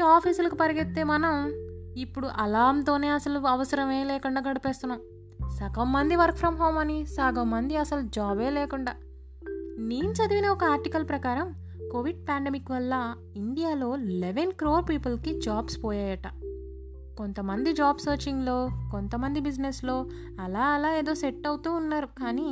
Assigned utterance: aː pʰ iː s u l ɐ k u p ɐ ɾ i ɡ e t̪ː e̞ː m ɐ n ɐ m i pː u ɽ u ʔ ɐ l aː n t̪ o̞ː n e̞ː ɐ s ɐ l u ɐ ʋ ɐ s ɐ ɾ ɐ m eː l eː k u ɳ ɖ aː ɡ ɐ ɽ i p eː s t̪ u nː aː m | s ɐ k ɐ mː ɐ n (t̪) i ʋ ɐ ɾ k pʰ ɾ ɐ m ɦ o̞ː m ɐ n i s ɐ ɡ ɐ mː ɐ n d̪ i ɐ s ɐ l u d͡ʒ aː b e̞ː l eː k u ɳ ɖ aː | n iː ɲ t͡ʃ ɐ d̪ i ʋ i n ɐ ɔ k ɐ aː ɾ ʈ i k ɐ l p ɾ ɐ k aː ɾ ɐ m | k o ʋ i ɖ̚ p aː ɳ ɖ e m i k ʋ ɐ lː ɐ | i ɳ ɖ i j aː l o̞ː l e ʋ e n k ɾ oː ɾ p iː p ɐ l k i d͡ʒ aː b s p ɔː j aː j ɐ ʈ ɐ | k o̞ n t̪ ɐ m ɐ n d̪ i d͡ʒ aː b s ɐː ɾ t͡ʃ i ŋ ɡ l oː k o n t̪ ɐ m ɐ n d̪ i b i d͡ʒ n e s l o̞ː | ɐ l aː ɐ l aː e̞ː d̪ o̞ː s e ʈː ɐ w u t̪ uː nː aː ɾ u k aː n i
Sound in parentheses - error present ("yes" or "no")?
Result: yes